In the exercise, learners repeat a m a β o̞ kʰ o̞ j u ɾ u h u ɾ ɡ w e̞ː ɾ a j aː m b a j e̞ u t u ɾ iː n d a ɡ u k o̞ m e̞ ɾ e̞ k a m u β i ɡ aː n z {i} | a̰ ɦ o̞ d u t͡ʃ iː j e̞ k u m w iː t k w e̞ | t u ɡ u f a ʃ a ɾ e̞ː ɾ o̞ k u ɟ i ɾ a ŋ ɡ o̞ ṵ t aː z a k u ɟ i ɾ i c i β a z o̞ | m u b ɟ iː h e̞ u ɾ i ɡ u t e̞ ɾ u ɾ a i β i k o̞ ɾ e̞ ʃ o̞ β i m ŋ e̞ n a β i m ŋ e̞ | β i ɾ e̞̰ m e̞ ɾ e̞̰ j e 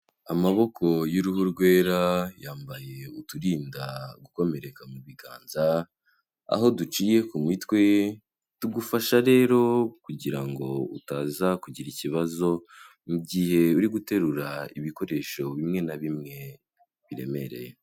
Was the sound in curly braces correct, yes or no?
no